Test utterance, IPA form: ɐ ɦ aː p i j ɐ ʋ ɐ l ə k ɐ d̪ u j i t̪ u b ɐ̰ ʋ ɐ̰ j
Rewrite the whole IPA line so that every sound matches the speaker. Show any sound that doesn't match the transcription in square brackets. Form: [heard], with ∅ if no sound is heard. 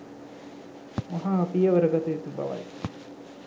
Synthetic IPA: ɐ ɦ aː p i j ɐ ʋ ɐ [ɾ] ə [ɡ] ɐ [t̪] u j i t̪ u b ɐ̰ ʋ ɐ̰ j